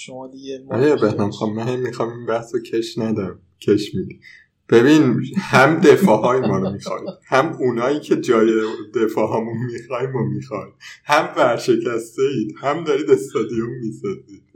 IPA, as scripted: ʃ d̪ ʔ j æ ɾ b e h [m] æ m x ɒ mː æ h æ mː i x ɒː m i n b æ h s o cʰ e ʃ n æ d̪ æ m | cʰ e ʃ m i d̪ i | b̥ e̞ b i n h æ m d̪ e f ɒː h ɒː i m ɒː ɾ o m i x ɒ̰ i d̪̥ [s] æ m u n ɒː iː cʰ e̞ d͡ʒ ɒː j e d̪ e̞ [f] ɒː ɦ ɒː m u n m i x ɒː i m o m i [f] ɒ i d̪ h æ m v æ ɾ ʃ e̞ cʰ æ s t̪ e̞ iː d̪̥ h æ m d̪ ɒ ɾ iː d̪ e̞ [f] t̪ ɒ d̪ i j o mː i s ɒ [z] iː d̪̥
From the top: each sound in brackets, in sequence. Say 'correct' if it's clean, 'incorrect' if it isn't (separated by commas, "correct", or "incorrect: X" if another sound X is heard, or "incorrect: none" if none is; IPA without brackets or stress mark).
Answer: incorrect: n, incorrect: h, correct, incorrect: x, incorrect: s, correct